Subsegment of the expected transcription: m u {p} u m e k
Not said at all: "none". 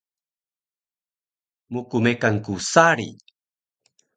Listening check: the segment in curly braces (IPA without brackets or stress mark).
k